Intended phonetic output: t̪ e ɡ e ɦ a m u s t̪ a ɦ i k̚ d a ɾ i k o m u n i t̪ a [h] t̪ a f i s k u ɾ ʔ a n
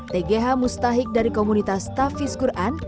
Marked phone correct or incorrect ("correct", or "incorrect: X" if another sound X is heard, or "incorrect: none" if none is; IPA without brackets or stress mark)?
incorrect: s